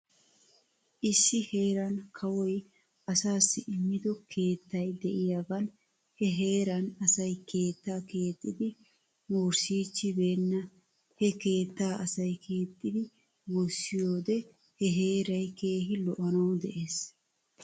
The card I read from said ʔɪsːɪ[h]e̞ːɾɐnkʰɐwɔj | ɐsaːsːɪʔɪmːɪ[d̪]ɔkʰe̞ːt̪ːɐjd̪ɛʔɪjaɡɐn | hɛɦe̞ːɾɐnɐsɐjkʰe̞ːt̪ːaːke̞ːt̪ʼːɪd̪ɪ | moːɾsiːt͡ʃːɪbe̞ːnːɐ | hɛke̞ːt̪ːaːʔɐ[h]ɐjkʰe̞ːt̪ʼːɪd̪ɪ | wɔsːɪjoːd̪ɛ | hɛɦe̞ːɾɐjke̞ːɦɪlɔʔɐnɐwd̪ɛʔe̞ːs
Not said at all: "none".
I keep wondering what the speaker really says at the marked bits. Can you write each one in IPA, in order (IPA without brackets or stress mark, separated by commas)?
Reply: h, d̪, s